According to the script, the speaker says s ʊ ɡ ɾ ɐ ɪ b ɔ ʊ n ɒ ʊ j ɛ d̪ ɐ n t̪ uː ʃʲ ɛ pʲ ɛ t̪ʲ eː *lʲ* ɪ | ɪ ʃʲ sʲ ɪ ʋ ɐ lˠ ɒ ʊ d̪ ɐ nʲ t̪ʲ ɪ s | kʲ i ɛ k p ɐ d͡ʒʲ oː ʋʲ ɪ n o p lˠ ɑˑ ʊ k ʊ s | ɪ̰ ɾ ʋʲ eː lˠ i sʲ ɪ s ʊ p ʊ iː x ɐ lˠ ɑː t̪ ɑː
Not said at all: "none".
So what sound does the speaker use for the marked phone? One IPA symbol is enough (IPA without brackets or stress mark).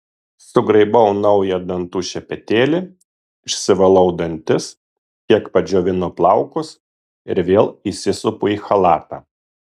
lʲ